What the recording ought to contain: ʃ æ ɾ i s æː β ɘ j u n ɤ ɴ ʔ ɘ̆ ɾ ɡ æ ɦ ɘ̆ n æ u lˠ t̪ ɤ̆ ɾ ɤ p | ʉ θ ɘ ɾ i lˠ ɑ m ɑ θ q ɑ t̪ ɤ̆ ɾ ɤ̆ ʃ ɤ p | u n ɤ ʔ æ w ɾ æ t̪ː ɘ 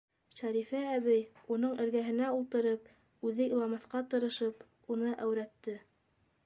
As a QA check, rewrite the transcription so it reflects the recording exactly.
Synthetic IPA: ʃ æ ɾ i f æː β ɘ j u n ɤ ɴ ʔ ɘ̆ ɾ ɡ æ ɦ ɘ̆ n æ u lˠ t̪ ɤ̆ ɾ ɤ p | ʉ ð ɘ i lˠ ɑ m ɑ θ q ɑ t̪ ɤ̆ ɾ ɤ̆ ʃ ɤ p | u n ɤ ʔ æ w ɾ æ t̪ː ɘ